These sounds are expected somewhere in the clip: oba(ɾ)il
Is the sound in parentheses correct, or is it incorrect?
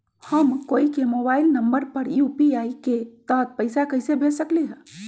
incorrect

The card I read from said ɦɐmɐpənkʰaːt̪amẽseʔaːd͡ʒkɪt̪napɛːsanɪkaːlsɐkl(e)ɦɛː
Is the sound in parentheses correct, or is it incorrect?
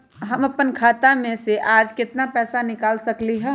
incorrect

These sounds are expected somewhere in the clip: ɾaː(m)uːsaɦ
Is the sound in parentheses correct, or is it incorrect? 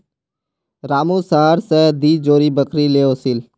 correct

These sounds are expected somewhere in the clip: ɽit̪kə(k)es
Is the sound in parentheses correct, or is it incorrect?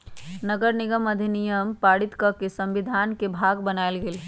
correct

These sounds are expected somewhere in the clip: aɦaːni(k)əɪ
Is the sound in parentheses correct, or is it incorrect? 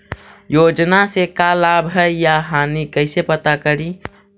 correct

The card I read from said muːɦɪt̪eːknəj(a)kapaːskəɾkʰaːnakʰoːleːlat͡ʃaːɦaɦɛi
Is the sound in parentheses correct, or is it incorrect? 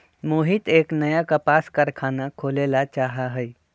correct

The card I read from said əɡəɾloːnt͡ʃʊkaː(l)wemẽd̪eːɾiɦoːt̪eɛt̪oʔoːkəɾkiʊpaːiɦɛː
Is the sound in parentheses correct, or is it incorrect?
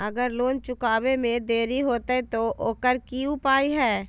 incorrect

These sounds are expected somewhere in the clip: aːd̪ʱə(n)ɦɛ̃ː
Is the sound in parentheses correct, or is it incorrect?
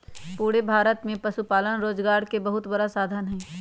correct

